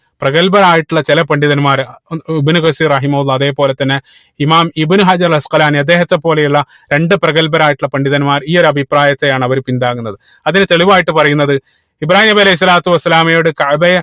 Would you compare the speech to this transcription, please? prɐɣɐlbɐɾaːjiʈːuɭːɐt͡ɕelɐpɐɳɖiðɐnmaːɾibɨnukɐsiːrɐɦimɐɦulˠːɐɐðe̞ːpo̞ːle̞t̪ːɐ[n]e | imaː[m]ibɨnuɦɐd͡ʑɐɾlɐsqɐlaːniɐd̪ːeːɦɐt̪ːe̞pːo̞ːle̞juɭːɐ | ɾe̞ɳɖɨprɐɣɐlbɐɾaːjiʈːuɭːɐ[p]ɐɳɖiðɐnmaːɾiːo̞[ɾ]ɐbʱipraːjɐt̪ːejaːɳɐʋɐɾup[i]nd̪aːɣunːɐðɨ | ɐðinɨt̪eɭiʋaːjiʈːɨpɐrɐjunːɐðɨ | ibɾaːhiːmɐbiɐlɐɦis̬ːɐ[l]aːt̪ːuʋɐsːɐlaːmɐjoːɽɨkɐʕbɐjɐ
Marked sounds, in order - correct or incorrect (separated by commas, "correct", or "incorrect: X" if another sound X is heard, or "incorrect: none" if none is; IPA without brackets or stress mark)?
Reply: incorrect: nː, correct, correct, correct, correct, correct